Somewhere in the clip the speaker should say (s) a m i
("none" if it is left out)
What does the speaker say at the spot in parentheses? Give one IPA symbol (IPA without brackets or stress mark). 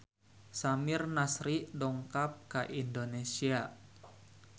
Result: s